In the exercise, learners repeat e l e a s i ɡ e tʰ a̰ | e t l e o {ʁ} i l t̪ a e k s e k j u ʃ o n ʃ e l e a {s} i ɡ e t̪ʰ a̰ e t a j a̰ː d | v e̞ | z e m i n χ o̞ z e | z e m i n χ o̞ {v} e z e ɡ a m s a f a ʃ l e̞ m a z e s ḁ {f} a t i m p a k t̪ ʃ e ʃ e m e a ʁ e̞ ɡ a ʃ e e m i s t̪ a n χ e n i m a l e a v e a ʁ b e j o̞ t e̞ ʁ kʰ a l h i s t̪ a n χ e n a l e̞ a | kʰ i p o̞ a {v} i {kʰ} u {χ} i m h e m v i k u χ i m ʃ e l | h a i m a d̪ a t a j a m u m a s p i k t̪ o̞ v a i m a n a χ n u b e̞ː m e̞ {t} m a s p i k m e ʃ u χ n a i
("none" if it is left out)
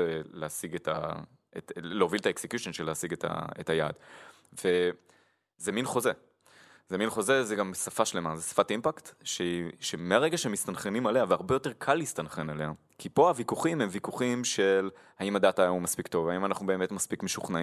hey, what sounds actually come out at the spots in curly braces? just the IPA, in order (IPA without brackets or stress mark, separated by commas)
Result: v, s, z, f, v, k, χ, t